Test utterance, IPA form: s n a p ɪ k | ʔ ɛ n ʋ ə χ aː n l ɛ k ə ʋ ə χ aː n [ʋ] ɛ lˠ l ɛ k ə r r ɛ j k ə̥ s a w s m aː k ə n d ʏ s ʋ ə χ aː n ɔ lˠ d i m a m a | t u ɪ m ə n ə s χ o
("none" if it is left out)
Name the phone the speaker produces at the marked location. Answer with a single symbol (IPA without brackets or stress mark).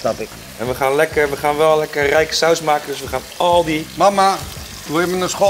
ʋ